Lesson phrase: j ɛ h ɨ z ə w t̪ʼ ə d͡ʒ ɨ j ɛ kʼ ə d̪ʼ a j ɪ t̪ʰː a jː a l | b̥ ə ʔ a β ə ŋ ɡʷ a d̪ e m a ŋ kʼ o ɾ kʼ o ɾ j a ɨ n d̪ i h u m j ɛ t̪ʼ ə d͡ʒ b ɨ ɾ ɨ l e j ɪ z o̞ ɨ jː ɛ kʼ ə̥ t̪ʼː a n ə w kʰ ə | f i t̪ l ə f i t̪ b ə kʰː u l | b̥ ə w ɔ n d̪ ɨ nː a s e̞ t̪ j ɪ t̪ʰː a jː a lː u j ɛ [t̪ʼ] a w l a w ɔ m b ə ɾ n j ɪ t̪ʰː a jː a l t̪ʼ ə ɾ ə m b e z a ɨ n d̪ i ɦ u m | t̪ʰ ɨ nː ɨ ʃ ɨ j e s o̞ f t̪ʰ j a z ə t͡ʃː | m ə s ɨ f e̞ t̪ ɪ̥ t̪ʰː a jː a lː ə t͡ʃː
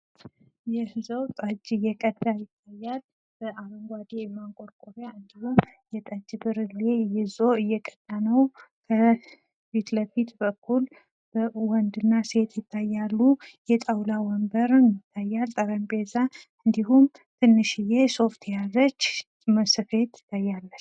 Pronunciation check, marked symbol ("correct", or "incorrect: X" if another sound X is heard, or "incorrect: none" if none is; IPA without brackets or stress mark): correct